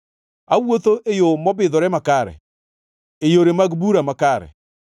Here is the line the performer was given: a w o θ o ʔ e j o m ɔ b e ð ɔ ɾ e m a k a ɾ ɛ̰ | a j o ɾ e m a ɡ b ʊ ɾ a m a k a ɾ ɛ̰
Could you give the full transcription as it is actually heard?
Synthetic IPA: a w o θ o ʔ e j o m ɔ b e ð ɔ ɾ ɛ m a k a ɾ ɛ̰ | e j o ɾ e m a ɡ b u ɾ a m a k a ɾ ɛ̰